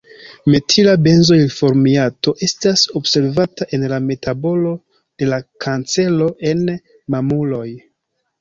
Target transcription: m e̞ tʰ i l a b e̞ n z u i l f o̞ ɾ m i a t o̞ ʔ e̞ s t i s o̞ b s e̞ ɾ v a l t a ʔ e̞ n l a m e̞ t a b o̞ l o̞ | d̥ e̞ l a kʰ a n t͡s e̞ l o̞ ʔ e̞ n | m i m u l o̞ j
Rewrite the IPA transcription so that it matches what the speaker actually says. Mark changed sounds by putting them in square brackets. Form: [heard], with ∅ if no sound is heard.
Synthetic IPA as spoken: m e̞ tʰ i l a b e̞ n z [o] i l f o̞ ɾ m i a t o̞ ʔ e̞ s t [a] s o̞ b s e̞ ɾ v a [∅] t a ʔ e̞ n l a m e̞ t a b o̞ l o̞ | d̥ e̞ l a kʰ a n t͡s e̞ l o̞ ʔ e̞ n | m [a] m u l o̞ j